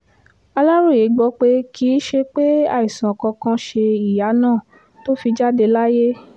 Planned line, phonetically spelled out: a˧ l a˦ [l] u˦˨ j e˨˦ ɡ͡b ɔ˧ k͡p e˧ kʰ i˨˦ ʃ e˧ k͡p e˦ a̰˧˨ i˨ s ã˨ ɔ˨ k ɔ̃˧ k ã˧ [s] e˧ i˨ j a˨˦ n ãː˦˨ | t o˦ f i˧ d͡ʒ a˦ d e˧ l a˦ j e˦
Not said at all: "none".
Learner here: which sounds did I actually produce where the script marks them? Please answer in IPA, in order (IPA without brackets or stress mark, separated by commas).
ɾ, ʃ